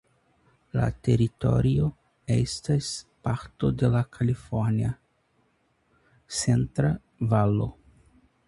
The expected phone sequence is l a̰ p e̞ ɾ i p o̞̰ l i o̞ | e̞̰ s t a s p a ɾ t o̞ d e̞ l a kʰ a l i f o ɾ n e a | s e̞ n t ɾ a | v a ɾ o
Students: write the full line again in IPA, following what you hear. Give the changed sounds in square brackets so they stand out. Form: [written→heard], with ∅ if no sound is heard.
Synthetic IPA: l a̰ [p→t] e̞ ɾ i [p→t] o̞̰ [l→ɾ] i o̞ | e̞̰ s t a s p a ɾ t o̞ d e̞ l a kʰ a l i f o ɾ n [e→i] a | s e̞ n t ɾ a | v a [ɾ→l] o